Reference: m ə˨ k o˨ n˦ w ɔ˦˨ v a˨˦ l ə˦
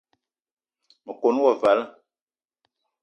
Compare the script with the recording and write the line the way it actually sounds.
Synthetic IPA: m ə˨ k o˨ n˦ w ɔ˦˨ v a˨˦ l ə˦

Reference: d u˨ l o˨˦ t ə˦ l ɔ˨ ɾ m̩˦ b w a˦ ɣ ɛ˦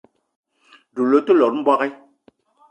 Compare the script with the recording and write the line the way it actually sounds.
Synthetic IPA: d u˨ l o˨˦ t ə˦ l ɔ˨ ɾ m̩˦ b w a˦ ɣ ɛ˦

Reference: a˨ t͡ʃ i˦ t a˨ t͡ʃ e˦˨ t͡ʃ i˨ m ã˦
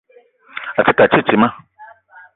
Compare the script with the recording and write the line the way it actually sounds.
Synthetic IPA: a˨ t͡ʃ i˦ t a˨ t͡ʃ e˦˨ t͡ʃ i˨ m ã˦

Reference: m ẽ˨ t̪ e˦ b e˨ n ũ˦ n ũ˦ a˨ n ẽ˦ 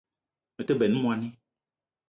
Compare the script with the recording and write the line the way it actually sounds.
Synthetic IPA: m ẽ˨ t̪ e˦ b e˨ n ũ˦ m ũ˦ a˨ n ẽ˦

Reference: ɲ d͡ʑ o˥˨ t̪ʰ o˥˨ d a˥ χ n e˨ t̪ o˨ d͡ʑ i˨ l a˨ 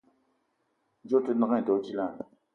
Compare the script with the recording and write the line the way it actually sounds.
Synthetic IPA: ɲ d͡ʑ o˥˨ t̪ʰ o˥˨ n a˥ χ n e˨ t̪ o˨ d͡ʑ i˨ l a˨

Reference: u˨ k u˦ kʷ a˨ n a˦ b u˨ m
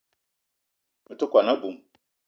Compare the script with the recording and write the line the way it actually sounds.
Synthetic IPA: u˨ t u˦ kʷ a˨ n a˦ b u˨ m

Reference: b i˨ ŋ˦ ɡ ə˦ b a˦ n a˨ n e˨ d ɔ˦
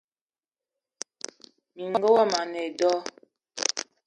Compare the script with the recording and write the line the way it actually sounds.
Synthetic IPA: m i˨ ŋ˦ ɡ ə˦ w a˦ m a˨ n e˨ d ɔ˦

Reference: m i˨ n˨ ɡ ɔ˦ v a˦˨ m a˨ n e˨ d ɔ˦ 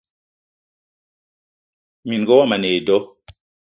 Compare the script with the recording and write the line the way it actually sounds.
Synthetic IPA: m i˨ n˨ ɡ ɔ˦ w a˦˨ m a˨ n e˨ d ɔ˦

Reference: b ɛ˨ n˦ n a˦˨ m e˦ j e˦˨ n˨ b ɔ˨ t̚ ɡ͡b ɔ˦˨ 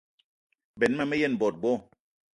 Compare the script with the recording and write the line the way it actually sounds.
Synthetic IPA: b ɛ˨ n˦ m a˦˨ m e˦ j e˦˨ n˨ b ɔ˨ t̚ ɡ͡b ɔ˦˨

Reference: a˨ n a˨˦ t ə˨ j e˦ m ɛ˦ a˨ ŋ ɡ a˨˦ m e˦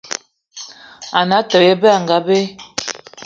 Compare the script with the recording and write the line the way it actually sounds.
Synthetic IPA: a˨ n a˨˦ t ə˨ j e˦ b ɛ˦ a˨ ŋ ɡ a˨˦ b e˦

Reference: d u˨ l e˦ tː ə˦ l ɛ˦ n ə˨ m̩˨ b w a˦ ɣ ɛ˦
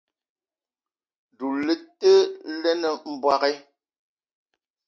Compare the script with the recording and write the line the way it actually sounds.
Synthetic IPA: d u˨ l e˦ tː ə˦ l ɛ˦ n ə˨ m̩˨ b w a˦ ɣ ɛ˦

